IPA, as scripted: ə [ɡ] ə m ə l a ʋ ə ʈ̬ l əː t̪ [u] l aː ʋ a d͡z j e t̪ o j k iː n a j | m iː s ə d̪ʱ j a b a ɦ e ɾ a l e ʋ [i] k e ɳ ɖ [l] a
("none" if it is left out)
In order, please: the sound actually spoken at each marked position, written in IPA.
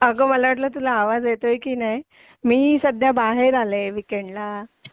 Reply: ɡ, u, i, l

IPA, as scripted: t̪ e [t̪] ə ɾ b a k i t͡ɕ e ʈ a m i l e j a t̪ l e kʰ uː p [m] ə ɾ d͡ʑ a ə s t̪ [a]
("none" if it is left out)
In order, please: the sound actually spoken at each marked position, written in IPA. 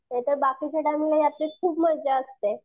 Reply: t̪, m, e

